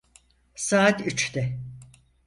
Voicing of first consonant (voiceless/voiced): voiceless